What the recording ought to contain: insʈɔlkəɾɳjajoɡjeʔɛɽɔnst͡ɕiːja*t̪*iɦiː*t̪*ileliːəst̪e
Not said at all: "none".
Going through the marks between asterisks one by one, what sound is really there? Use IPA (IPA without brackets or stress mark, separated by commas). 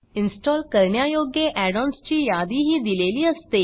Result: d̪, d̪